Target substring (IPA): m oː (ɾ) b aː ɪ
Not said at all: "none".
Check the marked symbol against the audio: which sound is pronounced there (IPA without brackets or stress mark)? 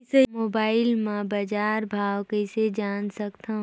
none